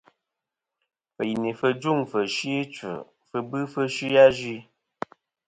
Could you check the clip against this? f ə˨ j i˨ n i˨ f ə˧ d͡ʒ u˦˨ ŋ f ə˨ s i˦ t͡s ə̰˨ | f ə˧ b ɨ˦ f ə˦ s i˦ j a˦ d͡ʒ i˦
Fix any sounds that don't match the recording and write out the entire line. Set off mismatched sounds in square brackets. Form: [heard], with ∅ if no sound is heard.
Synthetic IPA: f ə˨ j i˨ n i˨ f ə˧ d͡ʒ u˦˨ ŋ f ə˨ [ʃ] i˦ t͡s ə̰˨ | f ə˧ b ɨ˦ f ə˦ [ʃ] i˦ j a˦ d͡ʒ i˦